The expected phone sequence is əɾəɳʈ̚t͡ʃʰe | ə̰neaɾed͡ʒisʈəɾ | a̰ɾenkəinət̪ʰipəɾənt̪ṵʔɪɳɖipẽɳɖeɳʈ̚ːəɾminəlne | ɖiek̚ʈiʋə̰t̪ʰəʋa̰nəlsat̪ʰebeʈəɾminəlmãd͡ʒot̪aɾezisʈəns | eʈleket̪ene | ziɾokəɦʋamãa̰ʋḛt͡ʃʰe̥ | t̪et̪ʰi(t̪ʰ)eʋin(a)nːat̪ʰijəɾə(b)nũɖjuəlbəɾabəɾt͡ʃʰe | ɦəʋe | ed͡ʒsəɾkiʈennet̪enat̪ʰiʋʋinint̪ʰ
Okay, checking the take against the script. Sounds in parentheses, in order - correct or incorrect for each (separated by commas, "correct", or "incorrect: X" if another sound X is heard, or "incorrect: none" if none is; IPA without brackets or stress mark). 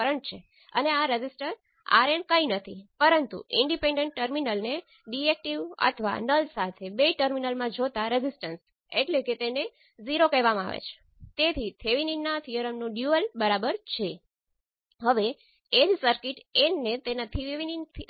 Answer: correct, incorrect: i, incorrect: m